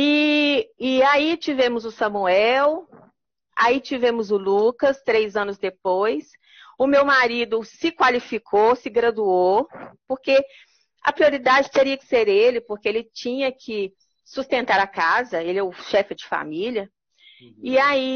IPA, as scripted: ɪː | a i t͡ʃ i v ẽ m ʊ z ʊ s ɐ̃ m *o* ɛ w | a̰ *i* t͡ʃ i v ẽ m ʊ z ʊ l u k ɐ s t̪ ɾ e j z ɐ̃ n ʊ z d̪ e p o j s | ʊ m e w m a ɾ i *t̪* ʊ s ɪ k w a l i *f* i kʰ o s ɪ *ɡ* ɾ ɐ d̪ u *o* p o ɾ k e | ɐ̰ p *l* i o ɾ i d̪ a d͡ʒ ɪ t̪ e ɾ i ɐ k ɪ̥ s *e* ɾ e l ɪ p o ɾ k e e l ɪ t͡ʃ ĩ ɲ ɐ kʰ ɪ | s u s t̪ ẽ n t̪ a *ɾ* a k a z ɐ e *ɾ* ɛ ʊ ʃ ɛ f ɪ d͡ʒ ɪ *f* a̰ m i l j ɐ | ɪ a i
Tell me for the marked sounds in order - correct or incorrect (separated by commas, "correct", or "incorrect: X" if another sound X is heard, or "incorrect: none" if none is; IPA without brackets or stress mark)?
incorrect: u, correct, incorrect: d̪, correct, correct, correct, incorrect: ɾ, correct, correct, incorrect: l, correct